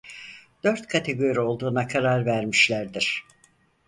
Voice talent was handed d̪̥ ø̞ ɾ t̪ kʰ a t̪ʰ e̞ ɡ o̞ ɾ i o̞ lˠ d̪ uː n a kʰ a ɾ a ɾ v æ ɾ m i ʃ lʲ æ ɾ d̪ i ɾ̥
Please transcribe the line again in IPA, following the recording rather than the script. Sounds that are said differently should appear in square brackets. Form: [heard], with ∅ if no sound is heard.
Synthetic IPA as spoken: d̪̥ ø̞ ɾ t̪ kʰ a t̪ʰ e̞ ɡ o̞ ɾ i o̞ lˠ d̪ uː n a kʰ a ɾ a ɾ v æ ɾ m i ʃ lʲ æ ɾ d̪ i ɾ̥